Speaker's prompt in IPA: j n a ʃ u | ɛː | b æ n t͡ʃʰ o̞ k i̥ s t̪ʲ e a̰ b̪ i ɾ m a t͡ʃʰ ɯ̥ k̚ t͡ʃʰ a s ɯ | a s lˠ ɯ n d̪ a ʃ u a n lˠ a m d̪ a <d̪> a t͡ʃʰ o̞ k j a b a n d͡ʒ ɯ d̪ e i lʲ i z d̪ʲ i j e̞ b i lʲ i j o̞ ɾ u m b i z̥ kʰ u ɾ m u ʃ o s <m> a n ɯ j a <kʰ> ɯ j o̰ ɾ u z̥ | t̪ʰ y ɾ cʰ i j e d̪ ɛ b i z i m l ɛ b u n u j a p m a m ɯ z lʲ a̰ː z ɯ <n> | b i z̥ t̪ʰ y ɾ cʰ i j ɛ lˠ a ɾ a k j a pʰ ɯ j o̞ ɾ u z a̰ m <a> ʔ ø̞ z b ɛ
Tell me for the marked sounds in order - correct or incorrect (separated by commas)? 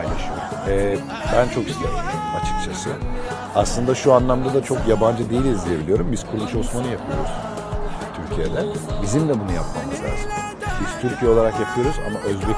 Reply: correct, correct, incorrect, incorrect, correct